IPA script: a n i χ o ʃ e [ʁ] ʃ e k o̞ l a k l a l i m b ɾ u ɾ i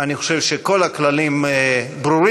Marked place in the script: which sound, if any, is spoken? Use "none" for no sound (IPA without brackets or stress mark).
v